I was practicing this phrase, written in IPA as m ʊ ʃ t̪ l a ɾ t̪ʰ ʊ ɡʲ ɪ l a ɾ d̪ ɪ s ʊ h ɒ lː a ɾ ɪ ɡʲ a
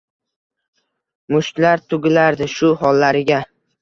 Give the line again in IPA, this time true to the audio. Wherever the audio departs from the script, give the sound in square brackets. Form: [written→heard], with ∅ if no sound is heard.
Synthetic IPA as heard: m ʊ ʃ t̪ l a ɾ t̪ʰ ʊ ɡʲ ɪ l a ɾ d̪ ɪ [s→ʃ] ʊ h ɒ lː a ɾ ɪ ɡʲ a